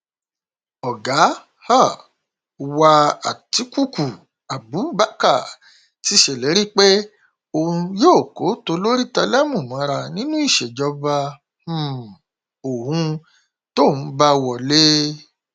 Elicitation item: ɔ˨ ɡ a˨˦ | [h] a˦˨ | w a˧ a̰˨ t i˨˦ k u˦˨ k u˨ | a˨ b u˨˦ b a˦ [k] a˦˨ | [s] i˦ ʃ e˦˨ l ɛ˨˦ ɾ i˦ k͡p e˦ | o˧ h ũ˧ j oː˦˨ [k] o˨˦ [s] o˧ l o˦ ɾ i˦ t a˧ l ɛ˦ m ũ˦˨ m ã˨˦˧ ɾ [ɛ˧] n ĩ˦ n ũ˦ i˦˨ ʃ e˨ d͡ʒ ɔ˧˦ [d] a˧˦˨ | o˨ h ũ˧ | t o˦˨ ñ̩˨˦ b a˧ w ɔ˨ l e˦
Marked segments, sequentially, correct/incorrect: correct, correct, incorrect, correct, incorrect, incorrect, incorrect

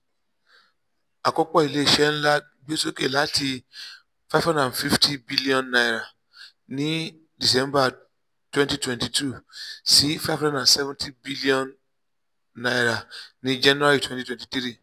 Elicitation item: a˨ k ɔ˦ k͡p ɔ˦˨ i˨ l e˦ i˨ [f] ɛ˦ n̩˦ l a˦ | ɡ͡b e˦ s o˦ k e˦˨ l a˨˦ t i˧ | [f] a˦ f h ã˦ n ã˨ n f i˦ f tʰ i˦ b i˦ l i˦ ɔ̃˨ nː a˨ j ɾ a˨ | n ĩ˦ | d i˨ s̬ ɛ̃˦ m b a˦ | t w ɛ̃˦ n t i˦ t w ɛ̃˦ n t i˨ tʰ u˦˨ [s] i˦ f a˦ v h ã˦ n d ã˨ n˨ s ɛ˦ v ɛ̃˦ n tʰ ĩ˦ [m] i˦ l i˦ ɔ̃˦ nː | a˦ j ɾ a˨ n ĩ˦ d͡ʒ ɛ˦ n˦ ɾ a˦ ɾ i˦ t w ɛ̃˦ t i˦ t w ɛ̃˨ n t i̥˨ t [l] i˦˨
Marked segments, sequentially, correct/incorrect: incorrect, correct, correct, incorrect, incorrect

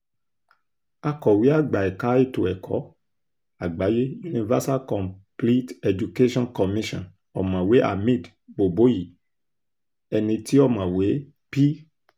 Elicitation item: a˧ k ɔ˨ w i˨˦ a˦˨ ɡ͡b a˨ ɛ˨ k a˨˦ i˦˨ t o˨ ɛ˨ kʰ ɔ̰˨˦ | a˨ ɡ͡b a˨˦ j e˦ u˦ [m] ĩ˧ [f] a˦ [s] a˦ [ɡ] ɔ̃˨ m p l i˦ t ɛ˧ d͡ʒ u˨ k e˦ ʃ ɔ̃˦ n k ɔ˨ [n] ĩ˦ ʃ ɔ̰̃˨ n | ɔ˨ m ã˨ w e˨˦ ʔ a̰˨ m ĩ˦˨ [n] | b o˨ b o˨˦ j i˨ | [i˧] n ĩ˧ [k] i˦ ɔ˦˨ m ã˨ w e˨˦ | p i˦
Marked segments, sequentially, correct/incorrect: incorrect, incorrect, correct, incorrect, incorrect, incorrect, incorrect, incorrect

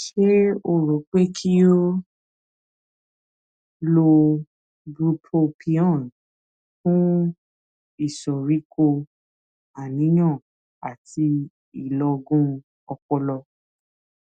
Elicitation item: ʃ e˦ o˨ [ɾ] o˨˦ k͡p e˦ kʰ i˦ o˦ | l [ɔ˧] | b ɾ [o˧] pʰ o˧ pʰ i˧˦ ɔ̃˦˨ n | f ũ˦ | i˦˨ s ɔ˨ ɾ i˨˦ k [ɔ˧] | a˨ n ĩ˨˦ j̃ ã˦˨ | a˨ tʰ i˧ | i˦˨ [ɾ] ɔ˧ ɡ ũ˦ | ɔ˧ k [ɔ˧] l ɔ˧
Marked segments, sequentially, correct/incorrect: correct, incorrect, incorrect, incorrect, incorrect, correct

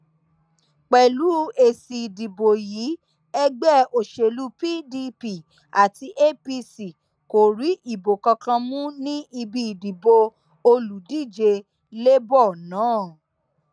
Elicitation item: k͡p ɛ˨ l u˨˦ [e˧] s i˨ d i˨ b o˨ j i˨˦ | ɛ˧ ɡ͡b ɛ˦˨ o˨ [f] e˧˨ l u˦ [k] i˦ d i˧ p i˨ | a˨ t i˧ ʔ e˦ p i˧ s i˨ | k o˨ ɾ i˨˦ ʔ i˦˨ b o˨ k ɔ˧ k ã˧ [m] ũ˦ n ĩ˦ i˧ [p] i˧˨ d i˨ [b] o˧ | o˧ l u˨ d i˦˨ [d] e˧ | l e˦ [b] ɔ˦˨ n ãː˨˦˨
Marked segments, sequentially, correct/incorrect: correct, incorrect, incorrect, correct, incorrect, correct, incorrect, correct

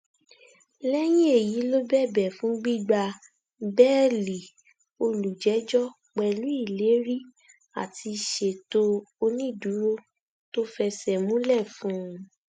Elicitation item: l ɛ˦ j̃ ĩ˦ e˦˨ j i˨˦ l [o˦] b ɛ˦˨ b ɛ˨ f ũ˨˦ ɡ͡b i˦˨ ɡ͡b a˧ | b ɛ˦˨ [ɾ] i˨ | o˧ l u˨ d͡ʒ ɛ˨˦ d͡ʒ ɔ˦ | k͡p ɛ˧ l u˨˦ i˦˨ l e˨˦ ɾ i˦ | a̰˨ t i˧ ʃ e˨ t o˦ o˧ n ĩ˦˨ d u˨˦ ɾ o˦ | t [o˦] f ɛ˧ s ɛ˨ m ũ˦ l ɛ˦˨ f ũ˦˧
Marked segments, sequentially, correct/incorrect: correct, incorrect, correct

